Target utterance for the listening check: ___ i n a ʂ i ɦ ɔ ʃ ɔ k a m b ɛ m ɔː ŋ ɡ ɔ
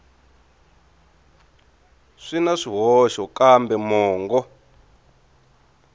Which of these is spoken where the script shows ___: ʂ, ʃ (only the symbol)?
ʂ